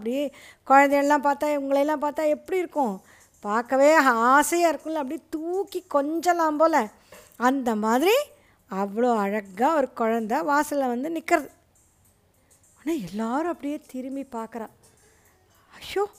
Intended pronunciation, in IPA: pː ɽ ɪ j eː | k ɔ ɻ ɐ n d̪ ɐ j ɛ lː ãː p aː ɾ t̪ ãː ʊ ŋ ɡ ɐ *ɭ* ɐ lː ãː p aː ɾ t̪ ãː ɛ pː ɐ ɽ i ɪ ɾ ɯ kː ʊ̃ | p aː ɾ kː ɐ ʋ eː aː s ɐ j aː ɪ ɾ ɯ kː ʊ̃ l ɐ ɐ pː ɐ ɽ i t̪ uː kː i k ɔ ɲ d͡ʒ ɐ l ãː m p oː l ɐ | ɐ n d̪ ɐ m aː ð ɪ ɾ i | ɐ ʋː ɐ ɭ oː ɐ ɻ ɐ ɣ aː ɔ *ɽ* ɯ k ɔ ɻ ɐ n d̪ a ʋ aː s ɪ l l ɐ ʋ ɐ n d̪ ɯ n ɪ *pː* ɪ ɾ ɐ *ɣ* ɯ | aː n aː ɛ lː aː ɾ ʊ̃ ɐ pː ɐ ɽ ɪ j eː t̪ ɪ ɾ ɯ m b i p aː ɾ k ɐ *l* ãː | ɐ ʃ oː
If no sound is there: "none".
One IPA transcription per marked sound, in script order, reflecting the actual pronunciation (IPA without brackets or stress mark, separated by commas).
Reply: ɭ, ɾ, kː, ð, ɾ